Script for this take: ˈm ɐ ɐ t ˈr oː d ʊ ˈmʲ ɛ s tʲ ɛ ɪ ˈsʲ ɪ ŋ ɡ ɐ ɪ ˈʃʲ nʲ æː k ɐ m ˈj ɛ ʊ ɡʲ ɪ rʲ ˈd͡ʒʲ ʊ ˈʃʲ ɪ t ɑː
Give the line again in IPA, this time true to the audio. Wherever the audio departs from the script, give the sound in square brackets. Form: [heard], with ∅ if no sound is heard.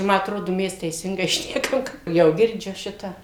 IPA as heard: ˈm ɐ ɐ t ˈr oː d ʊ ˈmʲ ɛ s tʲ ɛ ɪ ˈsʲ ɪ ŋ ɡ ɐ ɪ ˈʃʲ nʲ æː k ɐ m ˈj ɛ ʊ ɡʲ ɪ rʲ ˈd͡ʒʲ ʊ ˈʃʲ ɪ t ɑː